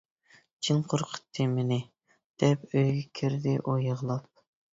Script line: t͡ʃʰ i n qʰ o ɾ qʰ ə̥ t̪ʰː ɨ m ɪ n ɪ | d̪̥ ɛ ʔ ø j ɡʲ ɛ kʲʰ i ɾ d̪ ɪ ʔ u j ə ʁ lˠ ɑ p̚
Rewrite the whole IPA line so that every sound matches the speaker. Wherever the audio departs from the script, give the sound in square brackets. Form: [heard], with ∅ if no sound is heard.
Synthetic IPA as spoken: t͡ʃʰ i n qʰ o ɾ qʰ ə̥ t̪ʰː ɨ m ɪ n ɪ | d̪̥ ɛ [p] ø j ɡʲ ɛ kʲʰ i ɾ d̪ ɪ ʔ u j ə ʁ lˠ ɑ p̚